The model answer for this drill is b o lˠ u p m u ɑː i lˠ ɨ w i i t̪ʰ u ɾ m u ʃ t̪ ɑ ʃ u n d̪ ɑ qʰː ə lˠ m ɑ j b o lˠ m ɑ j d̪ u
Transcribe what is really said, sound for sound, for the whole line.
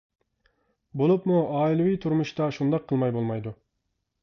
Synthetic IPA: b o lˠ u p m u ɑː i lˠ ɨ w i j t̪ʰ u ɾ m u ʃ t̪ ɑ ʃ u n d̪ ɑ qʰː ə lˠ m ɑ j b o lˠ m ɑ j d̪ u